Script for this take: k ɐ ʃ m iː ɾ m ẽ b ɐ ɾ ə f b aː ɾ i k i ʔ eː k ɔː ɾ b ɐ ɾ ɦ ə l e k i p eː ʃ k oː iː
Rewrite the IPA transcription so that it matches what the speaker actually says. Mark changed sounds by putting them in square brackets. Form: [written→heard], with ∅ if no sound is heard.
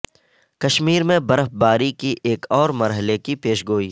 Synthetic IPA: k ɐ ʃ m iː ɾ m ẽ b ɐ ɾ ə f b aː ɾ i k i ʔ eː k ɔː ɾ [b→m] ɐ ɾ ɦ ə l e k i p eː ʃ [k→ɡ] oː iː